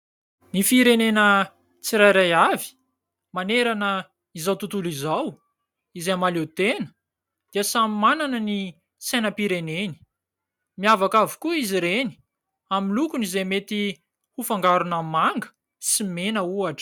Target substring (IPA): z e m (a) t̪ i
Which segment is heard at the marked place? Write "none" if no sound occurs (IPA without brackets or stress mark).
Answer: e